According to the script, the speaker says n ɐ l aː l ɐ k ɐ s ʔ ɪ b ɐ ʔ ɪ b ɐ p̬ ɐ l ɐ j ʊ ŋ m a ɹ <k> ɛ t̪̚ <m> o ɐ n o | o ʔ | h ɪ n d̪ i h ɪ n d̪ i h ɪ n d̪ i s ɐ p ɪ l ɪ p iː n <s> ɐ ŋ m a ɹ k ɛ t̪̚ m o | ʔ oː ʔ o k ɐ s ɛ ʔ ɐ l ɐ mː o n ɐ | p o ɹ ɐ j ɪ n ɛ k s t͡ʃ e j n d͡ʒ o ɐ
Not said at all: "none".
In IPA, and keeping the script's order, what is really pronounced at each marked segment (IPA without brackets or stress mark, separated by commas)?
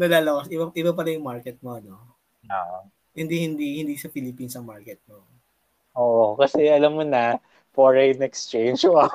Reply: k, m, s